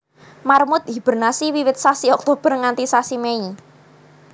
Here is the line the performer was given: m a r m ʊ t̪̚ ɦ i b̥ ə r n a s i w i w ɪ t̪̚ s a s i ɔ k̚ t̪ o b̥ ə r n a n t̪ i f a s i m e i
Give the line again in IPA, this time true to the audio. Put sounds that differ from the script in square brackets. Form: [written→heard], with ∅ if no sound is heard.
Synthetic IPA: m a r m ʊ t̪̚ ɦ i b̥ ə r n a s i w i w ɪ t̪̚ s a s i ɔ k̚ t̪ o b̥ ə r [n→ŋ] a n t̪ i [f→s] a s i m e i